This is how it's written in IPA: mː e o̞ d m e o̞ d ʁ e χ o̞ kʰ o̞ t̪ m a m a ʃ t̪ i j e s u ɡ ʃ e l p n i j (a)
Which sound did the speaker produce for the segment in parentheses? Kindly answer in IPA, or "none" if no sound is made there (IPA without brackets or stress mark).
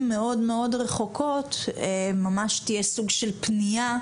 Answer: a